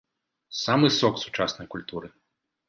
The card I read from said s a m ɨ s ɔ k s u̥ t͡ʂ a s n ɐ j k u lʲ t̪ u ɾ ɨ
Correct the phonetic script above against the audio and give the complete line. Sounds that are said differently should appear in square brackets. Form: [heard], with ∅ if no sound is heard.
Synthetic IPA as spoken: s a m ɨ s ɔ k s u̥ t͡ʂ a s n ɐ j k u lʲ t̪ u ɾ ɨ